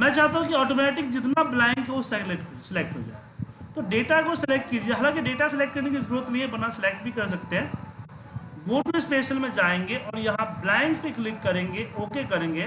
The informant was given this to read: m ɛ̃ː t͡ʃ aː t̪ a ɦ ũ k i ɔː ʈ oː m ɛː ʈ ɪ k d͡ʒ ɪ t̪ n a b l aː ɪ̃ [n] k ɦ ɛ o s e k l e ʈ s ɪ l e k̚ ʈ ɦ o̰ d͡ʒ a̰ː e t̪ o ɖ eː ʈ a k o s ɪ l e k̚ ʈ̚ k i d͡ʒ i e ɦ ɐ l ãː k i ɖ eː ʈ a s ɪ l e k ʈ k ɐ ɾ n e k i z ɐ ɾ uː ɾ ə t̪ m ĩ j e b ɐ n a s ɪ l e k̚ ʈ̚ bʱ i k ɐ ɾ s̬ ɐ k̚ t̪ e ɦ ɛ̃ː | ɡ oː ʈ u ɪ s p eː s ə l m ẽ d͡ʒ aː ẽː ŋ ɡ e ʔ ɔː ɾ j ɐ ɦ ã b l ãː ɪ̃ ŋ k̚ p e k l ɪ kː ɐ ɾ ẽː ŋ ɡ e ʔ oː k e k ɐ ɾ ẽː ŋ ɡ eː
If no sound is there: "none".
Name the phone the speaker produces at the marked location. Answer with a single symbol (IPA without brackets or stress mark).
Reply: ŋ